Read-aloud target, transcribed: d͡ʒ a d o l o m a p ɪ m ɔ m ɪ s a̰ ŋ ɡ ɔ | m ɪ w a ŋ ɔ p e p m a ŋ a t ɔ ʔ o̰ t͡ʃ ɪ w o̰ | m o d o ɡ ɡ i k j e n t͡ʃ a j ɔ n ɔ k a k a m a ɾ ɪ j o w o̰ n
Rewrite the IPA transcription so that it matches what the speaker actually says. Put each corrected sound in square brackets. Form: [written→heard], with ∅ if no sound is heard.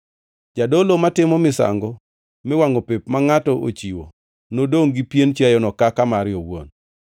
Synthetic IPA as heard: d͡ʒ a d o l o m a [p→t] ɪ m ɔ m ɪ s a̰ ŋ ɡ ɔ | m ɪ w a ŋ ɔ p e p m a ŋ a t ɔ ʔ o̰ t͡ʃ [ɪ→i] w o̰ | [m→n] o d o [ɡ→ŋ] ɡ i [k→p] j e n t͡ʃ a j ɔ n ɔ k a k a m a ɾ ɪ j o w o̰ n